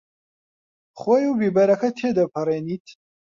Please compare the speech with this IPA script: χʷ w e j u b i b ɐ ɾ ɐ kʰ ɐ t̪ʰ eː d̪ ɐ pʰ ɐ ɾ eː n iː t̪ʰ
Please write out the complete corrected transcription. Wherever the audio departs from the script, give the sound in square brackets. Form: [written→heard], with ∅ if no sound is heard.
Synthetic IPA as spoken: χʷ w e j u b i b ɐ ɾ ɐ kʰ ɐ t̪ʰ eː d̪ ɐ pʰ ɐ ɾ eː n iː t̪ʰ